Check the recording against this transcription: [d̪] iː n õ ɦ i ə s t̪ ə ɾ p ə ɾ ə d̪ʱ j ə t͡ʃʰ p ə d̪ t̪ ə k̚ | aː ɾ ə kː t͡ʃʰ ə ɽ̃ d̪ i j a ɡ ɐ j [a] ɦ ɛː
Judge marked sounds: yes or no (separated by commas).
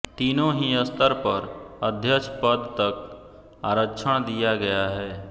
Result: no, yes